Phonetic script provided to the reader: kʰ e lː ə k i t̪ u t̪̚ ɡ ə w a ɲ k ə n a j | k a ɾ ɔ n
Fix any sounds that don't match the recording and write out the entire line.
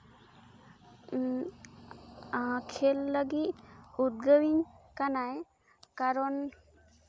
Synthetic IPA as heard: kʰ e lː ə ɡ i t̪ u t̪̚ ɡ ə w i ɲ k a n a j | k a ɾ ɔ n